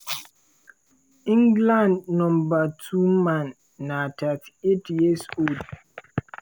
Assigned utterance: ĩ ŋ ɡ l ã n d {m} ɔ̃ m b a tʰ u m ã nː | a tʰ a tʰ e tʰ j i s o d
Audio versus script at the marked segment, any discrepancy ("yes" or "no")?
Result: yes